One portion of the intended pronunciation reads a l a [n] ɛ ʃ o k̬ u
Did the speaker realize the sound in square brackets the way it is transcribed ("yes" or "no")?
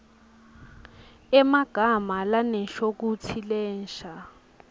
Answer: yes